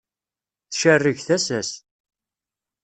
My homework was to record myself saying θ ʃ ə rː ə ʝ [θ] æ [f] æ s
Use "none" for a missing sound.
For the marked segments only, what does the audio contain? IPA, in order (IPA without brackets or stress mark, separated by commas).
θ, s